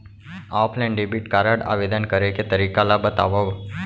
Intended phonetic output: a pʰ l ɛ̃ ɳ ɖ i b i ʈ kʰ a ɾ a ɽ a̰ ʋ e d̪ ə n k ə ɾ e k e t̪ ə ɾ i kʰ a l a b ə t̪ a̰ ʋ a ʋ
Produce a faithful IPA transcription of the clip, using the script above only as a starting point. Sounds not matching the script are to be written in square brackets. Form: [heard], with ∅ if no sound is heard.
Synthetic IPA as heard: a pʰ l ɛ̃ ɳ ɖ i b i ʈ [k] a ɾ a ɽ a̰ ʋ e d̪ ə n k ə ɾ e k e t̪ ə ɾ i [k] a l a b ə t̪ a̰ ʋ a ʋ